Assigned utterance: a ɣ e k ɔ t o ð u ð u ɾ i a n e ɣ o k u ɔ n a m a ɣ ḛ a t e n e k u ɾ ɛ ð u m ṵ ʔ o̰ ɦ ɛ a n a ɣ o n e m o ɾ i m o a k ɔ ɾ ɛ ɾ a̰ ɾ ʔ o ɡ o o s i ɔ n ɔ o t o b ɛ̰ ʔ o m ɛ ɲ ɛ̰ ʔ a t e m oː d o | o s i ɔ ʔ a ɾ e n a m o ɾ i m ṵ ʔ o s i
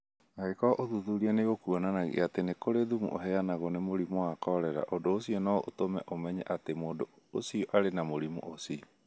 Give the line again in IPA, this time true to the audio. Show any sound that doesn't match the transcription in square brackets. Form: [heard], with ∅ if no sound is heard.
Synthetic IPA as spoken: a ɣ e k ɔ [ʔ] o ð u ð u ɾ i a n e ɣ o k u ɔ n a [n] a ɣ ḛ a t e n e k [o] ɾ [e] ð u m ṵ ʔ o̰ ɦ ɛ a n a ɣ o n e m o ɾ i m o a k ɔ ɾ ɛ ɾ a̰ [∅] ʔ o [d] o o s i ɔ n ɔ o t o [m] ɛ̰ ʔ o m ɛ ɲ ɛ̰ ʔ a t e m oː d o | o s i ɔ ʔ a ɾ e n a m o ɾ i m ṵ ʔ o s i